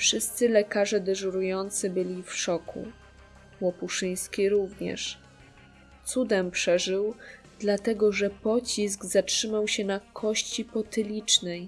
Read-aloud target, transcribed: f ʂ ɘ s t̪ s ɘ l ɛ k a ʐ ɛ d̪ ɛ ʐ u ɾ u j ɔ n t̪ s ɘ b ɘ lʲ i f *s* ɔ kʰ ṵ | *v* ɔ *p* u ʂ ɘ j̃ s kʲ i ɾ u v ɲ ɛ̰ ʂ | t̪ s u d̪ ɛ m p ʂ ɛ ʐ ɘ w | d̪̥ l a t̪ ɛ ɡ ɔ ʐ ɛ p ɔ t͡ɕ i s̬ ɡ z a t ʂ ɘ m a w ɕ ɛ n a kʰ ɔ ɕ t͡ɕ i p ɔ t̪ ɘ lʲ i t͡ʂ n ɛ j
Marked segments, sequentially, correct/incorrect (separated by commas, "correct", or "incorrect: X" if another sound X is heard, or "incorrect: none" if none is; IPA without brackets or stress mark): incorrect: ʂ, incorrect: w, correct